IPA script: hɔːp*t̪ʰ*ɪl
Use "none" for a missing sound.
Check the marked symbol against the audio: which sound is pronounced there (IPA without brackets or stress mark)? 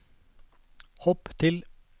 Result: t̪ʰ